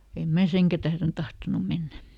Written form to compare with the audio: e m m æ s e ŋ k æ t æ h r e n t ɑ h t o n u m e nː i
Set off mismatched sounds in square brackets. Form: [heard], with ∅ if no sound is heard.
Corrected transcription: e m m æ s e ŋ k æ t æ h r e n t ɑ h t o n u m e nː [æ]